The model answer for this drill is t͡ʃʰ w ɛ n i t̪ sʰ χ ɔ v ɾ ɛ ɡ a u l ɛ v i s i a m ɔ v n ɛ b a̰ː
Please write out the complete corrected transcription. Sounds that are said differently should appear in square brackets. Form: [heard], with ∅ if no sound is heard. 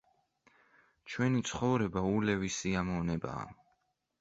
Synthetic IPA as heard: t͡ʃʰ w ɛ n i t̪ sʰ χ ɔ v ɾ ɛ [b] a u l ɛ v i s i a m ɔ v n ɛ b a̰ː